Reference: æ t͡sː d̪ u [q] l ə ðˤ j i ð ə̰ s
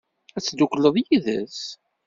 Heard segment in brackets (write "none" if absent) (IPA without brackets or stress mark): k